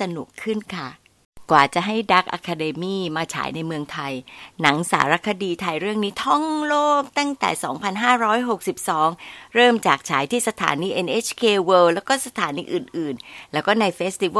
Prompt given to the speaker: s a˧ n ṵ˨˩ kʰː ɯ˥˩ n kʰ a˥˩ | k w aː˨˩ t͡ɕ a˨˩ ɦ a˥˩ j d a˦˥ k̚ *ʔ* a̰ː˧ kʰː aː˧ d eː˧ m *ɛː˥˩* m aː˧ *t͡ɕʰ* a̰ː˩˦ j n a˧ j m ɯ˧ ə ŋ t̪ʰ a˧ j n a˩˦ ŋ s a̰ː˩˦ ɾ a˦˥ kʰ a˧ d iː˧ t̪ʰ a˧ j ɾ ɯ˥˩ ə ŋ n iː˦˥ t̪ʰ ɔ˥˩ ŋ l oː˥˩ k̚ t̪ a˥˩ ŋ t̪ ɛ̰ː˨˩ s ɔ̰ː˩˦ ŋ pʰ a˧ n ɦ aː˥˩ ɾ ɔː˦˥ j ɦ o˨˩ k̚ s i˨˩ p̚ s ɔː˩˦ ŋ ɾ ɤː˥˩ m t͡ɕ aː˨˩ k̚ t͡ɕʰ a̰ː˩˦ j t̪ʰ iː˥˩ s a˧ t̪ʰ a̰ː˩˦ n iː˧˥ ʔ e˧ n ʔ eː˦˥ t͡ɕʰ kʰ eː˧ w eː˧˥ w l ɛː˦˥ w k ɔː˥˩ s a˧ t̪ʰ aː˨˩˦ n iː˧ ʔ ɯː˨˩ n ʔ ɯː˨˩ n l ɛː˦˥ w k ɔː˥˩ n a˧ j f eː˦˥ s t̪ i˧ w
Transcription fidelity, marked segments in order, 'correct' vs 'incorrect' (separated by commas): correct, incorrect, correct